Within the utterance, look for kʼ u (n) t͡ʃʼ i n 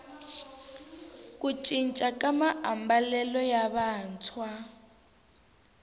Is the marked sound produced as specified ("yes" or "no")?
no